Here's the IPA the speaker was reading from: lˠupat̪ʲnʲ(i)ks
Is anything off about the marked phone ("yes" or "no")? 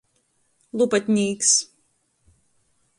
yes